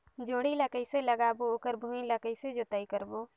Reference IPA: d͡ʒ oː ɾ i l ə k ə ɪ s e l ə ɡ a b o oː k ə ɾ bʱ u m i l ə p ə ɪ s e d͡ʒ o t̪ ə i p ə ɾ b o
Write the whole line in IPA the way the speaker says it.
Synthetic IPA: d͡ʒ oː ɽ i l ə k ə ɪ s e l ə ɡ a b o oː k ə ɾ bʱ u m i l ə k ə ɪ s e d͡ʒ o t̪ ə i k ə ɾ b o

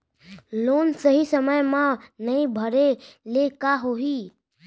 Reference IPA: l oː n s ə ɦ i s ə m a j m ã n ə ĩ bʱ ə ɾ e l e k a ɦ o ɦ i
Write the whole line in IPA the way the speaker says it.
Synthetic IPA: l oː n s ə ɦ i s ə m ə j m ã n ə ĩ bʱ ə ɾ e l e k a ɦ o ɦ i

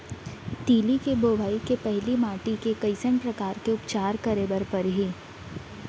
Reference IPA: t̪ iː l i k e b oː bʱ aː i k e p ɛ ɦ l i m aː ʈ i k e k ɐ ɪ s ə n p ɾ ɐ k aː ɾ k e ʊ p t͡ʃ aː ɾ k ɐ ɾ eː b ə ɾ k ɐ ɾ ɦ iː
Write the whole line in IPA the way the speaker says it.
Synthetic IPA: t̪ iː l i k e b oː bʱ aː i k e p ɛ ɦ l i m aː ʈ i k e k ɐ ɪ s ə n p ɾ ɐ k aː ɾ k e ʊ p t͡ʃ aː ɾ k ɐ ɾ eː b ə ɾ p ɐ ɾ ɦ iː

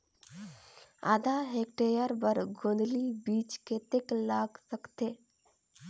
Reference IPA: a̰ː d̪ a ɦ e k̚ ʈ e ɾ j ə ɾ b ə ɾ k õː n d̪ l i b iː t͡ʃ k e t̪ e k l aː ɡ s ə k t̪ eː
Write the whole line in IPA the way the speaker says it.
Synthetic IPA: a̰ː d̪ a ɦ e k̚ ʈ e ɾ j ə ɾ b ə ɾ ɡ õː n d̪ l i b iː t͡ʃ k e t̪ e k l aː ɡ s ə k t̪ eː

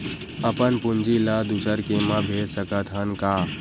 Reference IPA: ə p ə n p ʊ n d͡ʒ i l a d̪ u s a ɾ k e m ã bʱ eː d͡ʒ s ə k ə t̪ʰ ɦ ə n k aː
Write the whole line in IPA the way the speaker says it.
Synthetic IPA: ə p ə n p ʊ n d͡ʒ i l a d̪ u s ə ɾ k e m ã bʱ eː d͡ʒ s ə k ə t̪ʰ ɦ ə n k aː

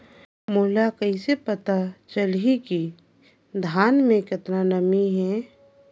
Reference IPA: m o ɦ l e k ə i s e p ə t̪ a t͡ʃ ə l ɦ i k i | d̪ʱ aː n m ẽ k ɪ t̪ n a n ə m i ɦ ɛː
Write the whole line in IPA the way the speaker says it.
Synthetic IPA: m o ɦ l a k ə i s e p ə t̪ a t͡ʃ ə l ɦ i k i | d̪ʱ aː n m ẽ k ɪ t̪ n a n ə m i ɦ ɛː

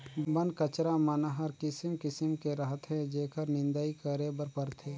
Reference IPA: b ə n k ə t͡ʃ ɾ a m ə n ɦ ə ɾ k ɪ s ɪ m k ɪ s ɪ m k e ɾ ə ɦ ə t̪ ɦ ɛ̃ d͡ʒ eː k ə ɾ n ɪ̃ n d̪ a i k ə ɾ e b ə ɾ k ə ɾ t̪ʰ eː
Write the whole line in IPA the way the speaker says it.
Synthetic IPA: b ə n k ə t͡ʃ ɾ a m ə n ɦ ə ɾ k ɪ s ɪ m k ɪ s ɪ m k e ɾ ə ɦ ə t̪ ɦ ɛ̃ d͡ʒ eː k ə ɾ n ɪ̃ n d̪ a i k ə ɾ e b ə ɾ p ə ɾ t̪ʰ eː

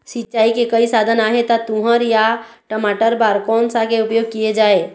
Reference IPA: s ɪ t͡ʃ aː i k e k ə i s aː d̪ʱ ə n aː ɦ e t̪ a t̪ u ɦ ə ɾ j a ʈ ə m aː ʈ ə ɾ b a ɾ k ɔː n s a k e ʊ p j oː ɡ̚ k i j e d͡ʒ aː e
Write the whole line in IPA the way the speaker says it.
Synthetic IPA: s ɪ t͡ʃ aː i k e k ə i s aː d̪ʱ ə n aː ɦ e t̪ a t̪ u ɦ ə ɾ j a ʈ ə m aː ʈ ə ɾ b a ɾ k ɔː n s a k e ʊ p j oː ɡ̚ k i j e d͡ʒ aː e

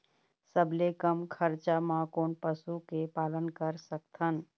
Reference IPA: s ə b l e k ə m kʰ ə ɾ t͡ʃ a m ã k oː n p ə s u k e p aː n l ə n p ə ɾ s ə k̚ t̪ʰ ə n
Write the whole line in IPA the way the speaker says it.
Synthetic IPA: s ə b l e k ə m kʰ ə ɾ t͡ʃ a m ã k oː n p ə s u k e p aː l ə n k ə ɾ s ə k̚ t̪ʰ ə n

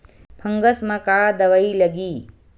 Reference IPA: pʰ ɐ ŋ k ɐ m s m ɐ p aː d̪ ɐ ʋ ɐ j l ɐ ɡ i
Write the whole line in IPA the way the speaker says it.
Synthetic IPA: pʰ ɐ ŋ ɡ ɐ s m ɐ k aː d̪ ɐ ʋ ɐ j l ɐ ɡ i

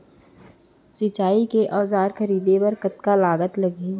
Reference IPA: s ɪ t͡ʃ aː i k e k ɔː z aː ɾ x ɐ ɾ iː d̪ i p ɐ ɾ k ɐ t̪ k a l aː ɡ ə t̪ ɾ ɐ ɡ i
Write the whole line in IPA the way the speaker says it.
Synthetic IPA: s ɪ t͡ʃ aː i k e ʔ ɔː z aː ɾ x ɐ ɾ iː d̪ e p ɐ ɾ k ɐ t̪ k a l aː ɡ ə t̪ l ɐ ɡ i

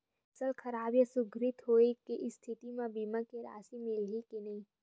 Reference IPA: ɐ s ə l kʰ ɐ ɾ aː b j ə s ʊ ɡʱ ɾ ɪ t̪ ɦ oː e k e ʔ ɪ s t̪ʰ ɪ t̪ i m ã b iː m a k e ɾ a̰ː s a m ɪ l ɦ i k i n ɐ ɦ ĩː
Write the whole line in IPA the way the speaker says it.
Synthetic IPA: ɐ s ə l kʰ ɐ ɾ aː b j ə s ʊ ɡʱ ɾ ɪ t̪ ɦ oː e k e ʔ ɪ s t̪ʰ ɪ t̪ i m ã b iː m a k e ɾ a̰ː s i m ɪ l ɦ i k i n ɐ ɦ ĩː

